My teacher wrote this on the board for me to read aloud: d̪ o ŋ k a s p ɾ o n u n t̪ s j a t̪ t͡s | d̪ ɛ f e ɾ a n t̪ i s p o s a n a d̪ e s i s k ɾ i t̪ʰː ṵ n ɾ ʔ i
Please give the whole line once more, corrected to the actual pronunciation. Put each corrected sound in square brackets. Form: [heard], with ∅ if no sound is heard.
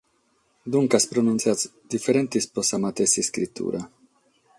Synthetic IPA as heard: d̪ [u] ŋ k a s p ɾ o n u n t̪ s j a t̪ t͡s | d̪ [i] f e ɾ [e] n t̪ i s p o s a [m] a [t̪] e s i s k ɾ i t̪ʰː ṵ [∅] ɾ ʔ [a]